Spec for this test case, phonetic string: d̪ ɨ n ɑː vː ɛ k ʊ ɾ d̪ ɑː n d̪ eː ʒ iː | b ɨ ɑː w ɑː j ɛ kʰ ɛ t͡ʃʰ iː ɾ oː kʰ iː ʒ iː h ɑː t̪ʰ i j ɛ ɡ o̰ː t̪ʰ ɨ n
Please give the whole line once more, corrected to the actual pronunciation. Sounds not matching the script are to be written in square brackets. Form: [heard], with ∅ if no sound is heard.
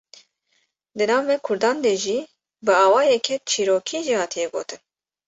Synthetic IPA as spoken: d̪ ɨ n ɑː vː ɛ [kʰ] ʊ ɾ d̪ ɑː n d̪ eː ʒ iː | b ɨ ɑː w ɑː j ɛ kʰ ɛ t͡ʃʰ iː ɾ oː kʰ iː ʒ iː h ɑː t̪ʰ i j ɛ ɡ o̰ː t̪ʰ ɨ n